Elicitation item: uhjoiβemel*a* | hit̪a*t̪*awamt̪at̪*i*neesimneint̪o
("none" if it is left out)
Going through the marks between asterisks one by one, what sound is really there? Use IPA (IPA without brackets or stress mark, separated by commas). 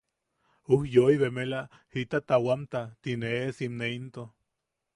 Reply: a, t̪, i